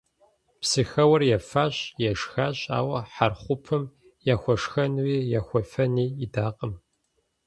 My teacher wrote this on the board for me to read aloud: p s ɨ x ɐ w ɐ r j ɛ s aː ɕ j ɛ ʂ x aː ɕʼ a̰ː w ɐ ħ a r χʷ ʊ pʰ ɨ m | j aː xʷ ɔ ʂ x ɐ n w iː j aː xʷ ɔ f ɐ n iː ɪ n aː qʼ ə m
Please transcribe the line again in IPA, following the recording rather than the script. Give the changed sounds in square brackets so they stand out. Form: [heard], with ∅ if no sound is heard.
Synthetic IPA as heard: p s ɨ x ɐ w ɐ r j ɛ [f] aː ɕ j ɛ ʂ x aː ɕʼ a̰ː w ɐ ħ a r χʷ ʊ pʰ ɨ m | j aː xʷ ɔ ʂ x ɐ n w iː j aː xʷ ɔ f ɐ n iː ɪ [d] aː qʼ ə m